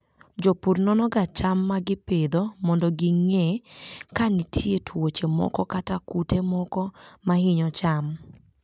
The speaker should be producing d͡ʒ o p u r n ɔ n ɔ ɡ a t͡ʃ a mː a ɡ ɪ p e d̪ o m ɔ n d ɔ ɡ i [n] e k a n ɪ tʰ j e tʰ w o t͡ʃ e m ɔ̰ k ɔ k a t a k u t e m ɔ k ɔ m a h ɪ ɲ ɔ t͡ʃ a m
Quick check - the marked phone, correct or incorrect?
incorrect